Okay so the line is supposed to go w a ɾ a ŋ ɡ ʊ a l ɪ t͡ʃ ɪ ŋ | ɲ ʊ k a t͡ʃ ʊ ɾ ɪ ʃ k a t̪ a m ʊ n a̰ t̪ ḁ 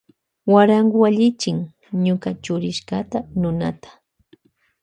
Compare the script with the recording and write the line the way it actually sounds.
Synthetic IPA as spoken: w a ɾ a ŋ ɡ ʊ a ʎ ɪ t͡ʃ ɪ ŋ | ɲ ʊ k a t͡ʃ ʊ ɾ ɪ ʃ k a t̪ a n ʊ n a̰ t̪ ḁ